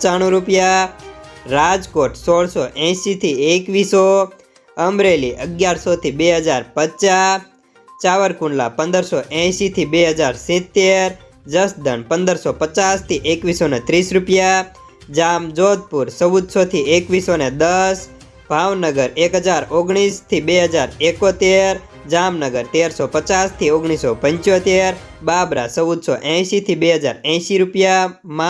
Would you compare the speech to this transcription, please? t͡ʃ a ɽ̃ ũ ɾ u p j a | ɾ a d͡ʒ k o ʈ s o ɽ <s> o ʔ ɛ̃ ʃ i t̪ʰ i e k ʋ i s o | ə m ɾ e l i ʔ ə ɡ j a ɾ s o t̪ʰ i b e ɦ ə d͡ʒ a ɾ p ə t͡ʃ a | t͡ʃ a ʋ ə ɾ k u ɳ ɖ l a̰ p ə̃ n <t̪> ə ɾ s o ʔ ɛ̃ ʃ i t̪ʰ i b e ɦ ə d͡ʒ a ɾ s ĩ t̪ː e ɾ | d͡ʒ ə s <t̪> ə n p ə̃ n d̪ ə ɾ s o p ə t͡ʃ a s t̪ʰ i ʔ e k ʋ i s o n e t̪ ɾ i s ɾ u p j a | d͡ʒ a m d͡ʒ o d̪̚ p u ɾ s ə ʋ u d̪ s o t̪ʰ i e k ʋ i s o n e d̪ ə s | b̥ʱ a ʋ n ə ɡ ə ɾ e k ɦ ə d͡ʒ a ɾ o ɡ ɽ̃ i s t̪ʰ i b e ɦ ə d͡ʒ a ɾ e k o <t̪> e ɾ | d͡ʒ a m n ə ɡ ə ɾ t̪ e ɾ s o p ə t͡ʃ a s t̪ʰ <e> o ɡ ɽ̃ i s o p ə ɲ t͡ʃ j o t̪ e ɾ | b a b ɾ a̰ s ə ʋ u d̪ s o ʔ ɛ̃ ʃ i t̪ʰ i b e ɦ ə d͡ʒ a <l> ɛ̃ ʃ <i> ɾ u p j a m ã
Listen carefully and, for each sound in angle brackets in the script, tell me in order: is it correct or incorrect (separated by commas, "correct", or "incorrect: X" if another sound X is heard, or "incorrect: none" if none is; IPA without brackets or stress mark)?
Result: correct, incorrect: d̪, incorrect: d̪, correct, incorrect: i, incorrect: ɾ, correct